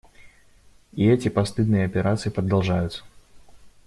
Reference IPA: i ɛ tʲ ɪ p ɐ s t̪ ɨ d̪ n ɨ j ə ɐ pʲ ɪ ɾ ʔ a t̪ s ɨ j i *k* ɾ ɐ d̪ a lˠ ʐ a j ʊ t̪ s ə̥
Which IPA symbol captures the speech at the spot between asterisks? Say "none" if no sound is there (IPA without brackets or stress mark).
p